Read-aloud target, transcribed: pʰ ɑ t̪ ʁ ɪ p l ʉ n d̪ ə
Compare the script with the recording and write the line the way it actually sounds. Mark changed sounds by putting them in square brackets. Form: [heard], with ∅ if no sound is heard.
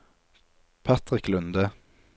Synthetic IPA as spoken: pʰ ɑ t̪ ʁ ɪ [k] l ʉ n d̪ ə